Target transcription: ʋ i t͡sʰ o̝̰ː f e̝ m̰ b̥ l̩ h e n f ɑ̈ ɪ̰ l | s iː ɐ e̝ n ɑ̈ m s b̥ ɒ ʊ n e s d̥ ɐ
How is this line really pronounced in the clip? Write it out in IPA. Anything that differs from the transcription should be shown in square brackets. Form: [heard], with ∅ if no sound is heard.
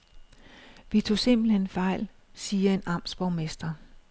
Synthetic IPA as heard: ʋ i t͡sʰ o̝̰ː [s] e̝ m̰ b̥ l̩ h e n f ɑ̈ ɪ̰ l | s iː ɐ e̝ n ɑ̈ m s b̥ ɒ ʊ [m] e s d̥ ɐ